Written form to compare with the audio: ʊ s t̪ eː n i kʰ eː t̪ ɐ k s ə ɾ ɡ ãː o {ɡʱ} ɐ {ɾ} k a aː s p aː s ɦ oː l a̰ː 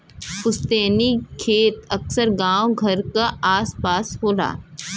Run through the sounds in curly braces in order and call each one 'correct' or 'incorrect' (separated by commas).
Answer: correct, correct